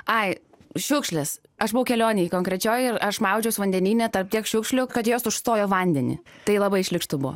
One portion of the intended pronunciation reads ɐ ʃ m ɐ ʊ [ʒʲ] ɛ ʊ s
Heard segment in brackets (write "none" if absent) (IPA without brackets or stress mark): d͡ʒʲ